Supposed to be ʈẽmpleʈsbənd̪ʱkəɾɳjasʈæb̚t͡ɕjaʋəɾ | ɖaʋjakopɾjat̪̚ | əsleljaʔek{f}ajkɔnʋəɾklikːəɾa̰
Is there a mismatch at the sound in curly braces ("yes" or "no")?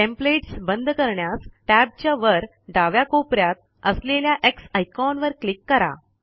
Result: yes